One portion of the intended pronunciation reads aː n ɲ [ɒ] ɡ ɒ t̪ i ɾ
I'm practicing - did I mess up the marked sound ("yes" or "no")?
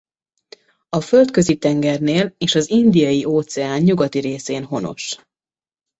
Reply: yes